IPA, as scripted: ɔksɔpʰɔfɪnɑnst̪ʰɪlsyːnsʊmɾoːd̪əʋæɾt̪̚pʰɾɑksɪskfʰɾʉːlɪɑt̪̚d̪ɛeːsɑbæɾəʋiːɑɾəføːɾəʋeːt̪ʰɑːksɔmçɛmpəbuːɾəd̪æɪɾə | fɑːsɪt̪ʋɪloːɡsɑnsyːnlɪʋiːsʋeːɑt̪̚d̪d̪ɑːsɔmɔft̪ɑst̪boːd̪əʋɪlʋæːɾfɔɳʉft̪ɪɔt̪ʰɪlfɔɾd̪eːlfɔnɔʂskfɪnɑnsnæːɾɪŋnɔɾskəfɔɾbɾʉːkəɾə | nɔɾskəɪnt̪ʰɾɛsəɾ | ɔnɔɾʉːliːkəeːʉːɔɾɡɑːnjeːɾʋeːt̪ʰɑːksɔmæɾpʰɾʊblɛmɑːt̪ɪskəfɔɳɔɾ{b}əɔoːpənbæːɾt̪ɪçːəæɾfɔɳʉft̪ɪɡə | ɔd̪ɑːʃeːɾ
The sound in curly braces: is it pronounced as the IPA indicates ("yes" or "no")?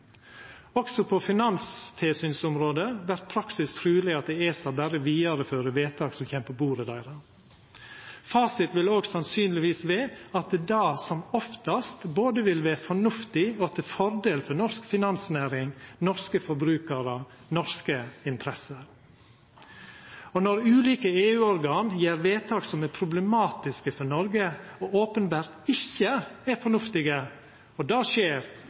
no